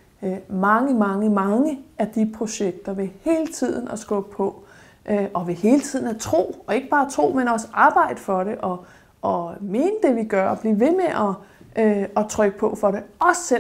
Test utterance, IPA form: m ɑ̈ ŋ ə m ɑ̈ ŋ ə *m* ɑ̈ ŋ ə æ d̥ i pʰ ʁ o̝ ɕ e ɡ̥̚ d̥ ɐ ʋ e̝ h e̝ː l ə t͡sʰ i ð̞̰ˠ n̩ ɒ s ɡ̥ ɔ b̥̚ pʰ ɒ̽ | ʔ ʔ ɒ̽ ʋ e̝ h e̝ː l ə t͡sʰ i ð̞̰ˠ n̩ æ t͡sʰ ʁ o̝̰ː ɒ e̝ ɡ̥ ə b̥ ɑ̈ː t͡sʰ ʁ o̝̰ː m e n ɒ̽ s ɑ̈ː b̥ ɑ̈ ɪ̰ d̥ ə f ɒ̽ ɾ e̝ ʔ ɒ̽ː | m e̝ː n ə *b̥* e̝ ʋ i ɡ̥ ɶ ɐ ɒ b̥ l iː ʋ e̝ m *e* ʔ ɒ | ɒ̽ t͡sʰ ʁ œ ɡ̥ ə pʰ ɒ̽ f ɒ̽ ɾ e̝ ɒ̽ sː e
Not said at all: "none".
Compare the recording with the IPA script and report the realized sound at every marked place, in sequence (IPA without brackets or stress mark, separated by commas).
m, d̥, e